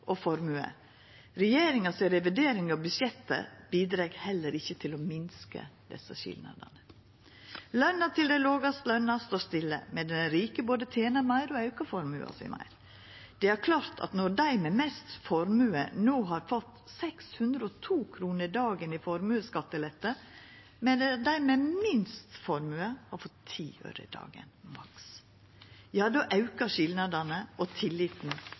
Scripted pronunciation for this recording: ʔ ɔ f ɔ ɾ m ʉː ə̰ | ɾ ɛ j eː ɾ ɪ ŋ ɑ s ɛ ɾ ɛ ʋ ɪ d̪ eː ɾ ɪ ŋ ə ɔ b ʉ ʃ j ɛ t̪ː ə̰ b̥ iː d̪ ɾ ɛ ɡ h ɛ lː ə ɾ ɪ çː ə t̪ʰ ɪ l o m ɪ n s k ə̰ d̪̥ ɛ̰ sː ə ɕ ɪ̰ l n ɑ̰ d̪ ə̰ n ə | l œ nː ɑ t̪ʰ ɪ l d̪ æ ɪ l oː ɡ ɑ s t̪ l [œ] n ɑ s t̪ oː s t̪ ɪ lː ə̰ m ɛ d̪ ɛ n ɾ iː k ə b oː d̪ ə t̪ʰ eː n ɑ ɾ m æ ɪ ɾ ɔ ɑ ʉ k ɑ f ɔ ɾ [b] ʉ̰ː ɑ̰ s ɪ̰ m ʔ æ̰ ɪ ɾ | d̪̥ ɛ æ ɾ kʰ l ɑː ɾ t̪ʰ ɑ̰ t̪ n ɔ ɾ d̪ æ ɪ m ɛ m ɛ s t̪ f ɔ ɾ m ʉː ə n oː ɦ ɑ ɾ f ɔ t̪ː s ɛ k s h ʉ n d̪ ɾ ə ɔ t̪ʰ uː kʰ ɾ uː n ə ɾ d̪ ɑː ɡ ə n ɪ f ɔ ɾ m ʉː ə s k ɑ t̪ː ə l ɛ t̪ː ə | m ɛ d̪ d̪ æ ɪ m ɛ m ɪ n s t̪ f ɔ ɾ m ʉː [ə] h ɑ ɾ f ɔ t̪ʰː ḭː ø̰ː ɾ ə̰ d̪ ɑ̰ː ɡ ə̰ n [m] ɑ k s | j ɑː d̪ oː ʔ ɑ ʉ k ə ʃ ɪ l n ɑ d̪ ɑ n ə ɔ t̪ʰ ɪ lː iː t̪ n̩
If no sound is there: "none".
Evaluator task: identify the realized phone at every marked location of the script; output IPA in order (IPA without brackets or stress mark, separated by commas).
œ, m, ə, m